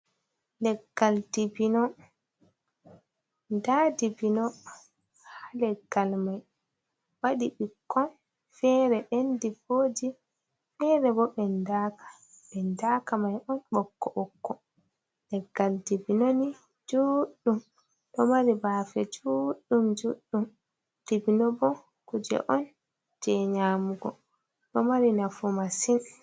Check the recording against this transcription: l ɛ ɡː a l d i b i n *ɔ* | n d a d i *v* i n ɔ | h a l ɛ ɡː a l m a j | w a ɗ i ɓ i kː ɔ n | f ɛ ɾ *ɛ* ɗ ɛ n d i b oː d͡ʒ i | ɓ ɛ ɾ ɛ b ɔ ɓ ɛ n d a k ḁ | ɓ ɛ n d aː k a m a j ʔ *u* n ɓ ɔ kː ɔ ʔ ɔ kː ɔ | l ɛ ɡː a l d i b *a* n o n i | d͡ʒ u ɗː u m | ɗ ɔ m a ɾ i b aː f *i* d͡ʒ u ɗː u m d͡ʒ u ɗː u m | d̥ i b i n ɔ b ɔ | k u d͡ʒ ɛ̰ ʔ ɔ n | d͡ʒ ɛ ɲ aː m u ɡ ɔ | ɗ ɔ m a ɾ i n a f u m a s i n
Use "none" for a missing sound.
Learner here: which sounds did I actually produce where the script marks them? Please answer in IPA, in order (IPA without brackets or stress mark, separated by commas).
ɔ, b, ɛ, ɔ, i, ɛ